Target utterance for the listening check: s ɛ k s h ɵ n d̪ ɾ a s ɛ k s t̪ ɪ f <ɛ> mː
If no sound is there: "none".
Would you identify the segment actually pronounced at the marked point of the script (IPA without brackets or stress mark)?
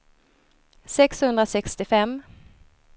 ɛ